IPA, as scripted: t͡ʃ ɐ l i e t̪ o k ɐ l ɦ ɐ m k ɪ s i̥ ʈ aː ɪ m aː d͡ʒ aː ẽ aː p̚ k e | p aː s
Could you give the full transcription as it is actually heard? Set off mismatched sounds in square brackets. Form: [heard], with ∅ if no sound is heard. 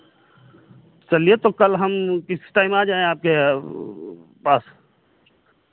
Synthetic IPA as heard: t͡ʃ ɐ l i e t̪ o k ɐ l ɦ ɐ m k ɪ s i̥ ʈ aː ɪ m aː d͡ʒ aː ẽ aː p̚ k e | p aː s